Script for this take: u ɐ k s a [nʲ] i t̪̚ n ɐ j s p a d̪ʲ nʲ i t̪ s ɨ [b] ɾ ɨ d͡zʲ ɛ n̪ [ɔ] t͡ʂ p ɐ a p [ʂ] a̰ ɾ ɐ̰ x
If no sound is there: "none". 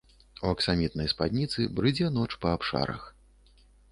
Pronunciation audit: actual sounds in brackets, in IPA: mʲ, b, ɔ, ʂ

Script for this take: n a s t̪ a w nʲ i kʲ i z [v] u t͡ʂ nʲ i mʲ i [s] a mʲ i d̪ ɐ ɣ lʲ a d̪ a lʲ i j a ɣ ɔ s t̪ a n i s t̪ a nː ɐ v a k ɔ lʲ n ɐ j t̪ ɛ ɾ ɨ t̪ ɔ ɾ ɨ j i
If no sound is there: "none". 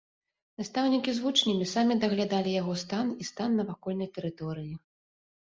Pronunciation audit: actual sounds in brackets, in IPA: v, s

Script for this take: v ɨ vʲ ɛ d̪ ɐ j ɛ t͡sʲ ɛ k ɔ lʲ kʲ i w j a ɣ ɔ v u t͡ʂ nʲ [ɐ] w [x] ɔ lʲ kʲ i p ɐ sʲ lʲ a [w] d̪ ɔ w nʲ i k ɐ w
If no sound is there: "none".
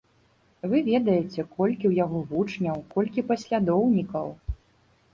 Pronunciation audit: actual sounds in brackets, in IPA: ɐ, k, none

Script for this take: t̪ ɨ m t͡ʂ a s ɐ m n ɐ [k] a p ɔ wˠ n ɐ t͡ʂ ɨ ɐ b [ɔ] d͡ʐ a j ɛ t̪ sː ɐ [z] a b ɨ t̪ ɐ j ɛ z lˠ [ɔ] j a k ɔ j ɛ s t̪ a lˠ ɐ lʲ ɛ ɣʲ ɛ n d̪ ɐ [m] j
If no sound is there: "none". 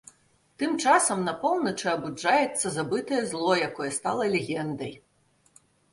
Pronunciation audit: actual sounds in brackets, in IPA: none, u, z, ɔ, none

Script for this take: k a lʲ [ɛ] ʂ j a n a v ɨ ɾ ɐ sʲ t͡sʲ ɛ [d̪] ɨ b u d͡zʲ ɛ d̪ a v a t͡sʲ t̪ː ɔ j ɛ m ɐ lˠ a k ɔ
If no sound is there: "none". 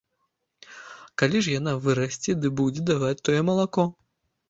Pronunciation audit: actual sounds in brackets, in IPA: i, d̪

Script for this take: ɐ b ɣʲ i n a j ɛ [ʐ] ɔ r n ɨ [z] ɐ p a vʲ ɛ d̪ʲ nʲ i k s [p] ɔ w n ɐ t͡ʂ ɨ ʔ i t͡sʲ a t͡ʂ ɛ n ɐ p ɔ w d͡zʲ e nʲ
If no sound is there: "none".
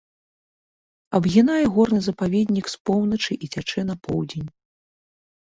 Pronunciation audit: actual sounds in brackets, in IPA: ɣ, z, p

